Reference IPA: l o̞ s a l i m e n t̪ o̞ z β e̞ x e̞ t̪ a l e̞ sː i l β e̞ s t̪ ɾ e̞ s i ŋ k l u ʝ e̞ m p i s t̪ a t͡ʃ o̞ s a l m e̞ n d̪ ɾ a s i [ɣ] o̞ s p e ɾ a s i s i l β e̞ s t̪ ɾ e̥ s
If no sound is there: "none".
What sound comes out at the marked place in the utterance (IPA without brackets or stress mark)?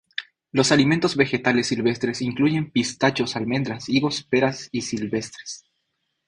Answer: ɣ